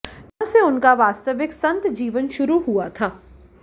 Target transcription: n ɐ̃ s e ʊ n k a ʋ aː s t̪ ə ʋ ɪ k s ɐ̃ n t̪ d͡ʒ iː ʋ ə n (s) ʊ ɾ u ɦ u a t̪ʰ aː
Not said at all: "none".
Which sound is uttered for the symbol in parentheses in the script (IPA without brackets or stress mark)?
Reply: ʃ